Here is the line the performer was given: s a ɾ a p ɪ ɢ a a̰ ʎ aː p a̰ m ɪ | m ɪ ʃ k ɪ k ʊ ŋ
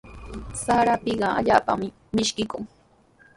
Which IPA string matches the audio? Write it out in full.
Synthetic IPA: s a ɾ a p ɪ ɢ ɑ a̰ ʎ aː p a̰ m ɪ | m ɪ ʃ k ɪ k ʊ ŋ